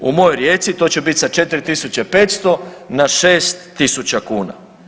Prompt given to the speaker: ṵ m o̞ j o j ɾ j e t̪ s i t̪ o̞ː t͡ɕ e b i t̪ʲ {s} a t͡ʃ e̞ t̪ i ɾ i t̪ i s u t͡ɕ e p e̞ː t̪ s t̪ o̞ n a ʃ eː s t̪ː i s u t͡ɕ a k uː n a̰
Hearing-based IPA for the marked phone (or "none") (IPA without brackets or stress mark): s